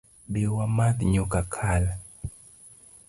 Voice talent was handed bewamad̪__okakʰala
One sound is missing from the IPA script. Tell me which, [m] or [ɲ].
ɲ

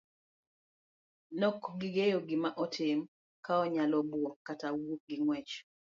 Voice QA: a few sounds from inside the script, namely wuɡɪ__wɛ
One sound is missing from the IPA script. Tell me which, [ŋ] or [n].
ŋ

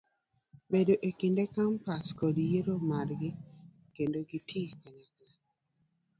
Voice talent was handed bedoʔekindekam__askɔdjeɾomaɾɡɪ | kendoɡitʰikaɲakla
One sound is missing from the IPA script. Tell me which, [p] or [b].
p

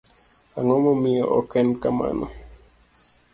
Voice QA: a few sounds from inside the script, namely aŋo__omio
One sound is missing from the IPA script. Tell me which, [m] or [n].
m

